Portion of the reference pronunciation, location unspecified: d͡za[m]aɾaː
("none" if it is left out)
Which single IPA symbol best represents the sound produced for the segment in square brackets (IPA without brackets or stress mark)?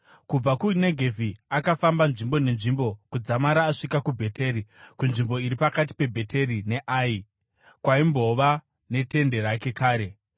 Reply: m